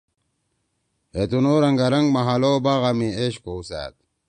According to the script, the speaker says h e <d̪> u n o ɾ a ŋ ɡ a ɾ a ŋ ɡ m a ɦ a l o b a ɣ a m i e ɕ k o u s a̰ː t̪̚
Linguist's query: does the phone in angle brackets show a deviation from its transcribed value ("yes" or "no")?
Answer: yes